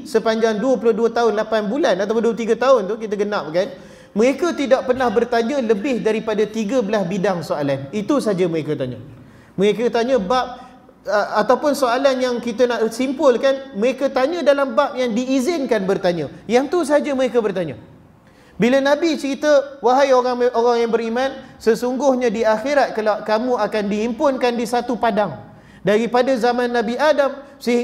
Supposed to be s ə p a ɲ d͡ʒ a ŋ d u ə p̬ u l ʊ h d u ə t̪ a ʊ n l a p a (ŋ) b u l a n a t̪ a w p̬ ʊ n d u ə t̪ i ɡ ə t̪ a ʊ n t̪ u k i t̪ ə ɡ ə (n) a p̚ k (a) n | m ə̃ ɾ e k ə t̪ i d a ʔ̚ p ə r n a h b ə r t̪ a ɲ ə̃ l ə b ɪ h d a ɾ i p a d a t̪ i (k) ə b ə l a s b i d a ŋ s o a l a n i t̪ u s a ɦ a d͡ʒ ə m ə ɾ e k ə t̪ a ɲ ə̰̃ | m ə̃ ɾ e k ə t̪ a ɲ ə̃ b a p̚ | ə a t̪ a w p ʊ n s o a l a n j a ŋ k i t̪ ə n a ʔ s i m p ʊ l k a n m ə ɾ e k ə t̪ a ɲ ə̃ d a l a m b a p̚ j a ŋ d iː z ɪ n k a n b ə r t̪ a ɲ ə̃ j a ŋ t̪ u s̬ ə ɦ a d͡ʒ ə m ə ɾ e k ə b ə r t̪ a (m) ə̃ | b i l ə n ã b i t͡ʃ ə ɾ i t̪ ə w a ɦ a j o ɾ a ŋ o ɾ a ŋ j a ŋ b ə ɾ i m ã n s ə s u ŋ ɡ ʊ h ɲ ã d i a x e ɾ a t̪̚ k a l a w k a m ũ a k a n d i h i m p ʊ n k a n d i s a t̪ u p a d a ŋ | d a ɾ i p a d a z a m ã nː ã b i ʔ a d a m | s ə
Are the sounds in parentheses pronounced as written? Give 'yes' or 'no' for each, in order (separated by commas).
no, yes, yes, no, no